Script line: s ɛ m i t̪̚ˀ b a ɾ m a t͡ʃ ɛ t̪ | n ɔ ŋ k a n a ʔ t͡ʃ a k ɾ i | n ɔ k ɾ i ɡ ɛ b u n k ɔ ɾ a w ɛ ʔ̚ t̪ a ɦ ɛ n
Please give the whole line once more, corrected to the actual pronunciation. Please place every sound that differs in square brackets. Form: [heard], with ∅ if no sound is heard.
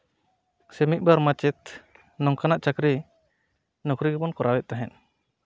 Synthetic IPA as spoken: s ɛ m i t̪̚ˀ b a ɾ m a t͡ʃ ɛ t̪ | n ɔ ŋ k a n a ʔ t͡ʃ a k ɾ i | n ɔ k ɾ i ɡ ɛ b [ɔ] n k ɔ ɾ a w ɛ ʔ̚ t̪ a ɦ ɛ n